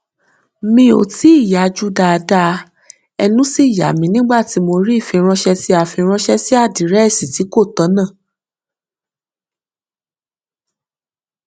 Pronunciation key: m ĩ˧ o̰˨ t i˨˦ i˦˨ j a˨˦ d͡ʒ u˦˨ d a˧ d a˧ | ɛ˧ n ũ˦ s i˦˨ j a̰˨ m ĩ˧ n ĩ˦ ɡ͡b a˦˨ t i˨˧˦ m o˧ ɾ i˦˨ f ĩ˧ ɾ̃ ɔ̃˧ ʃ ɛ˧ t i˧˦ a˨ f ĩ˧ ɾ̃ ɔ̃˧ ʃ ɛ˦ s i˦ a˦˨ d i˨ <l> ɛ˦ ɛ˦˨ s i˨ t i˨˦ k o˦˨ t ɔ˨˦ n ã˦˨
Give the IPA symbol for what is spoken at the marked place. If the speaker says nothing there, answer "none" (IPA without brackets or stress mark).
ɾ